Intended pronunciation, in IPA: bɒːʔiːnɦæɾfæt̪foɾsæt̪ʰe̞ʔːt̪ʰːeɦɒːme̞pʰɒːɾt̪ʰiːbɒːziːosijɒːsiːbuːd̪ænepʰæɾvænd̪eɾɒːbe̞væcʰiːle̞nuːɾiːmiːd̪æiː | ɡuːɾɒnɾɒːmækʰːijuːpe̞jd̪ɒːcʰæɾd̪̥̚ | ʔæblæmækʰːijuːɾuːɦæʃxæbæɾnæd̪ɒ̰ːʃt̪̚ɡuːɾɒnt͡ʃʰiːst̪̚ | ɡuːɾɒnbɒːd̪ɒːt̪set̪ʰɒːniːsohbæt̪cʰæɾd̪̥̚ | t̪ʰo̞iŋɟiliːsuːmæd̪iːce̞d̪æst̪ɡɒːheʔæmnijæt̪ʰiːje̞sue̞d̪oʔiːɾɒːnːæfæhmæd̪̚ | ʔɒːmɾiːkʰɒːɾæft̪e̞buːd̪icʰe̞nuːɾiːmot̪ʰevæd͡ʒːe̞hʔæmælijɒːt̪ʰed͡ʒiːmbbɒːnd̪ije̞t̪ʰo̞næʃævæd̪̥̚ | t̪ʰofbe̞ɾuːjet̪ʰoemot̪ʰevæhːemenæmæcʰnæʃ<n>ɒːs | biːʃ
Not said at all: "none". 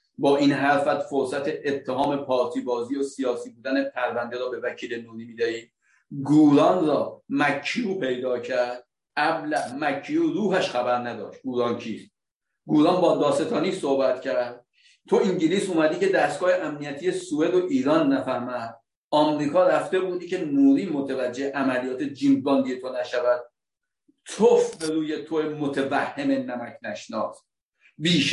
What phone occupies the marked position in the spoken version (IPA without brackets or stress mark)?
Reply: n